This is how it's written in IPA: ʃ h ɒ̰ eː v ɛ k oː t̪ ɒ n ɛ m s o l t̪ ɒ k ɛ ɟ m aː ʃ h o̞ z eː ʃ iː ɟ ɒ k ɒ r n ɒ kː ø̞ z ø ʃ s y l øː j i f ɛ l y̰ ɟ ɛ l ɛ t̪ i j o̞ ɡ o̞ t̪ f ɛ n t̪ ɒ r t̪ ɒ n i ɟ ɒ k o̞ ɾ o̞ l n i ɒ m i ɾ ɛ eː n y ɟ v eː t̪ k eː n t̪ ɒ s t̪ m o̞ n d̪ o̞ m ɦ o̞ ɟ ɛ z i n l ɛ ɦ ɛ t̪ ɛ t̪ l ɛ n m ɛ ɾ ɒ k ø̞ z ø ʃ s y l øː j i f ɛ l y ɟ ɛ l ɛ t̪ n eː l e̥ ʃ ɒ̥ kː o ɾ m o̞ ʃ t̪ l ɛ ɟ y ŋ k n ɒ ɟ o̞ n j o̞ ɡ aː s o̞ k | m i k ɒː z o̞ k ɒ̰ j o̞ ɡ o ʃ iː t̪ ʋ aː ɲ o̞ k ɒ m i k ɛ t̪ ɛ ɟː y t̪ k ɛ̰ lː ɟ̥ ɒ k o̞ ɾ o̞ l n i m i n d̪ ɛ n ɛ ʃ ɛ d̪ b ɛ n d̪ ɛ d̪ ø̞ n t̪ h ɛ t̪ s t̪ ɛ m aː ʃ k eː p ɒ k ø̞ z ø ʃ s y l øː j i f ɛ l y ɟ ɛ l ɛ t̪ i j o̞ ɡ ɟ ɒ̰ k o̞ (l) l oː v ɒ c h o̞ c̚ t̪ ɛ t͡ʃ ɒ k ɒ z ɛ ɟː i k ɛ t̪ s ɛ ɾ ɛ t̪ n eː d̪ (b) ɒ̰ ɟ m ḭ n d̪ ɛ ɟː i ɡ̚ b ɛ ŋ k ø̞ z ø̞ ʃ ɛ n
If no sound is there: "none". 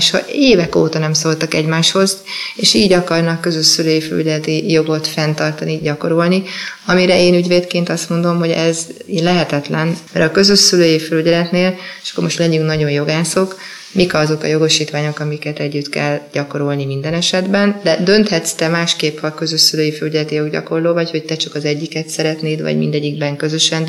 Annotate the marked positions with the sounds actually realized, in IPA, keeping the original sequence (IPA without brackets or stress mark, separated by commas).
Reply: r, v